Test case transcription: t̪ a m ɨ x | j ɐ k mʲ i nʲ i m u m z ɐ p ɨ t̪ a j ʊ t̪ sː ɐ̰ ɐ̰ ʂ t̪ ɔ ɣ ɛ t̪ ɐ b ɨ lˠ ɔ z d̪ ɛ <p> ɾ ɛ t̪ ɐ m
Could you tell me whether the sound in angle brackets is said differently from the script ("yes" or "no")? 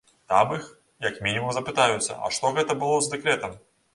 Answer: yes